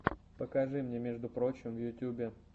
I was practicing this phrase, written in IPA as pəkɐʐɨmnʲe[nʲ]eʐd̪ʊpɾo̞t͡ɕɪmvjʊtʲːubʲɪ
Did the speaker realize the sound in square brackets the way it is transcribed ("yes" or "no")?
no